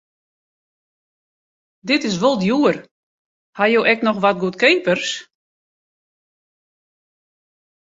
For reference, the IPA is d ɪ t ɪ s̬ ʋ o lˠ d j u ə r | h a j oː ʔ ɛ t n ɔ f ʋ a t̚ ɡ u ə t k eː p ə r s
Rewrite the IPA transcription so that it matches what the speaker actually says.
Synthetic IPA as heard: d ɪ t ɪ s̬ ʋ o lˠ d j u ə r | h a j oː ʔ ɛ k n ɔ x ʋ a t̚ ɡ u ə t k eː p ə r s